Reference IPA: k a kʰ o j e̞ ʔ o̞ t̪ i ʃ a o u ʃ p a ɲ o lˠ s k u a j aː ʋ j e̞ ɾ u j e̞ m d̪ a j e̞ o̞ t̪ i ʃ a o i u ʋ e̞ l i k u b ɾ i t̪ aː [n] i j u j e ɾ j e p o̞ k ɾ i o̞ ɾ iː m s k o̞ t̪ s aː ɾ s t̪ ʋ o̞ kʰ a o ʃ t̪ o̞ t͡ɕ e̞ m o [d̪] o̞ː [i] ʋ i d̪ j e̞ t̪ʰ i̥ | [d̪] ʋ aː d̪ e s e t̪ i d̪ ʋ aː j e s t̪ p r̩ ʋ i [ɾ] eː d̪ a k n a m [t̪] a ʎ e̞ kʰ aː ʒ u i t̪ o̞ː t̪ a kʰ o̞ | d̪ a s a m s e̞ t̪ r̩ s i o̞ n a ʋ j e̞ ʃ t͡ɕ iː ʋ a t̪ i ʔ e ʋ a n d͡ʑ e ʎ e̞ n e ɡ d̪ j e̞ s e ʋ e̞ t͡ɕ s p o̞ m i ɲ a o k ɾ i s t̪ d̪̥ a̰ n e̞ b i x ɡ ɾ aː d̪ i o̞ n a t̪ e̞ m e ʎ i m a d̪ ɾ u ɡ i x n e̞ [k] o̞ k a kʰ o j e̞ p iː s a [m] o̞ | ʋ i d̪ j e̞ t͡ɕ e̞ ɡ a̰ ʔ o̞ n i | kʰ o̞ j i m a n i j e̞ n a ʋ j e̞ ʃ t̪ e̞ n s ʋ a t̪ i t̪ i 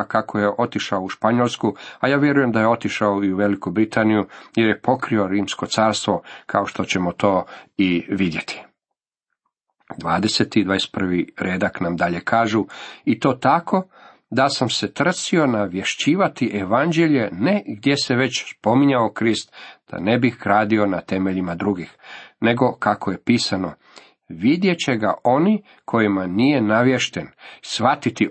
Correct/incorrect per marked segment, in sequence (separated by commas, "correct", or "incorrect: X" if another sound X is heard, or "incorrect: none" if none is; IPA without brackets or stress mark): correct, incorrect: t̪, correct, correct, correct, incorrect: d̪, incorrect: ɡ, incorrect: n